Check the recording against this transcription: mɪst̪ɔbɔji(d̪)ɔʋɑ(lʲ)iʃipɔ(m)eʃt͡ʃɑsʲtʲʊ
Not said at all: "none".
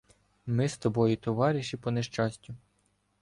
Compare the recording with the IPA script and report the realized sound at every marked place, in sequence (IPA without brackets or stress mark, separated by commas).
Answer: t̪, ɾʲ, n